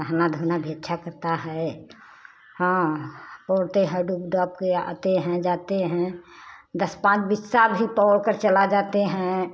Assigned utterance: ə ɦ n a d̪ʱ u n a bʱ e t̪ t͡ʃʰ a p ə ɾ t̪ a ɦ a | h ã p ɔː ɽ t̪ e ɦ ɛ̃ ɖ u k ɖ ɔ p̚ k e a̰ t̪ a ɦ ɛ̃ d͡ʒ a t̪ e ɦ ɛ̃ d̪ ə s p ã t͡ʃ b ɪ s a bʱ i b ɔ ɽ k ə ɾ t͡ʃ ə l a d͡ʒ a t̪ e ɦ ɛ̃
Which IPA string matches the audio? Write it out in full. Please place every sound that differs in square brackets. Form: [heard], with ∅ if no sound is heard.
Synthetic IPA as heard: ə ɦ n a d̪ʱ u n a bʱ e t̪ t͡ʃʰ a [k] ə ɾ t̪ a ɦ [ɛ] | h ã p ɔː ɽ t̪ e ɦ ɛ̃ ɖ u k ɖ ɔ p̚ k e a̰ t̪ [e] ɦ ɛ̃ d͡ʒ a t̪ e ɦ ɛ̃ d̪ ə s p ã t͡ʃ b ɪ s a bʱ i [p] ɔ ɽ k ə ɾ t͡ʃ ə l a d͡ʒ a t̪ e ɦ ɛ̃